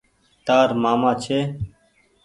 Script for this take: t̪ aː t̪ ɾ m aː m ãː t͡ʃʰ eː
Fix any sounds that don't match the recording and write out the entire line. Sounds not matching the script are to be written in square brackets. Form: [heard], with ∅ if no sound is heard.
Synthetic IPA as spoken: t̪ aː [∅] ɾ m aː m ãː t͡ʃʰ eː